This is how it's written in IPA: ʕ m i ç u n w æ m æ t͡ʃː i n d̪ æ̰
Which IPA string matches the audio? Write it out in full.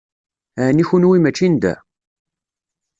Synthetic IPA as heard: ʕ n i ç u n w i m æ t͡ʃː i n d̪ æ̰